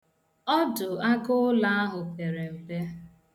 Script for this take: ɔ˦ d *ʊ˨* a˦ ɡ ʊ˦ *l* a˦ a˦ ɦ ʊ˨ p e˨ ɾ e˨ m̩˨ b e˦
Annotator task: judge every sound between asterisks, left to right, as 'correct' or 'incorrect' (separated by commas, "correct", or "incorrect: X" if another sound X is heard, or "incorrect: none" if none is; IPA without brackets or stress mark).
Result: correct, correct